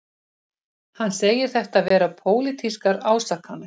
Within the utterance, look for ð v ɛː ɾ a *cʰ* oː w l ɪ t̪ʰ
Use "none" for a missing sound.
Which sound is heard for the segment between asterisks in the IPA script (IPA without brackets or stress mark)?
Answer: pʰ